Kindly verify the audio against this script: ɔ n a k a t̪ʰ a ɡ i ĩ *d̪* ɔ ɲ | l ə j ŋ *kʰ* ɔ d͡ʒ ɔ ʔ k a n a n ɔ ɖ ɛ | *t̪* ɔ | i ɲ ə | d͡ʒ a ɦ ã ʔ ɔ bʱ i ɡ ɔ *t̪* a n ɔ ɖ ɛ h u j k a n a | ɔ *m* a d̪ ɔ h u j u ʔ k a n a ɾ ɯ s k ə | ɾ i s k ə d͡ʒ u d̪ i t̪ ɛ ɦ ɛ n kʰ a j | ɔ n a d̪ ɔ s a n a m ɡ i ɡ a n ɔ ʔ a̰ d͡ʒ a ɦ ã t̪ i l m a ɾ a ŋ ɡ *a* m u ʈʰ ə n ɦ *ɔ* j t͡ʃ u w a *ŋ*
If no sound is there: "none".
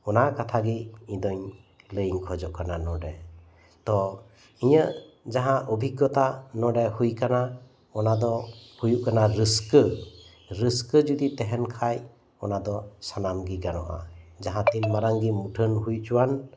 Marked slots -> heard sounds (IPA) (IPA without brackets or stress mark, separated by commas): d̪, kʰ, t̪, t̪, n, i, u, n